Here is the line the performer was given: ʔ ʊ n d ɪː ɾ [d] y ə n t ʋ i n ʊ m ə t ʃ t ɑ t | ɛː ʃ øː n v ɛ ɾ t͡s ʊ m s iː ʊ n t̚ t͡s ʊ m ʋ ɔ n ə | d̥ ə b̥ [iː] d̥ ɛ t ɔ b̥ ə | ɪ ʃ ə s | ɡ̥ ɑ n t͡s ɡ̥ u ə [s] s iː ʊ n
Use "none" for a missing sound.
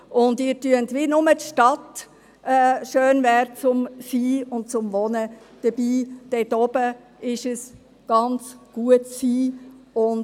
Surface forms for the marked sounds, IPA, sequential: t, iː, t

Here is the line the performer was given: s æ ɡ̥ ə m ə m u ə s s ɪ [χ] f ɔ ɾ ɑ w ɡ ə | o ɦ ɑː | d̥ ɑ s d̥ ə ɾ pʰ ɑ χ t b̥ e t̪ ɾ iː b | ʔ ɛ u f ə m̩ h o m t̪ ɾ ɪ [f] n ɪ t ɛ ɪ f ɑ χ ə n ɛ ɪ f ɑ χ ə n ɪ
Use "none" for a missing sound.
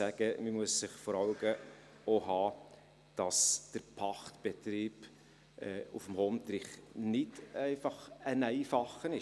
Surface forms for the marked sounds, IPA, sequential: χ, χ

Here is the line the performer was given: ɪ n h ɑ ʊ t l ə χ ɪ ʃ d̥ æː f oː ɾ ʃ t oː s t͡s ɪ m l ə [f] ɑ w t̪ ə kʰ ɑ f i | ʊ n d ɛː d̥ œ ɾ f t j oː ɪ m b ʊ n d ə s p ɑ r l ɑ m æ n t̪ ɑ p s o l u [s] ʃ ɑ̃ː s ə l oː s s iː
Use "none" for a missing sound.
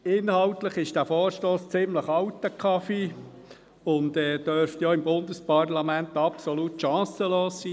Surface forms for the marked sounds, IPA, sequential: χ, t

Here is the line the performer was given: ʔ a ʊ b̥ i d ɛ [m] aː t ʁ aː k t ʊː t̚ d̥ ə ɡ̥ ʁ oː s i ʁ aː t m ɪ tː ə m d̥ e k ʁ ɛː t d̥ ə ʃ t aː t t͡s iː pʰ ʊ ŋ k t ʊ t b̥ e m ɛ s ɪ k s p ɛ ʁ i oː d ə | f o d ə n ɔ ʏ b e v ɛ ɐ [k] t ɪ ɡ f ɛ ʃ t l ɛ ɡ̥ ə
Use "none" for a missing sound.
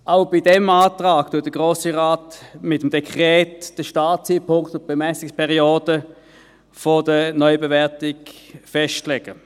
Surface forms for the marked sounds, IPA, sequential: m, none

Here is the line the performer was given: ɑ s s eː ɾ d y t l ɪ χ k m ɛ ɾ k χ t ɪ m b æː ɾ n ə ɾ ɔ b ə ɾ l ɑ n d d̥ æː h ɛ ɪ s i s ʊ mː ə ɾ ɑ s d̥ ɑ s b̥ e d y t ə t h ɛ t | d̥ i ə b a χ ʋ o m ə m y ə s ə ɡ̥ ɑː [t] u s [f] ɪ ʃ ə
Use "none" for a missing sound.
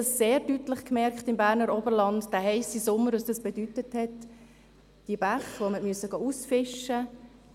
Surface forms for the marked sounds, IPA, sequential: none, f

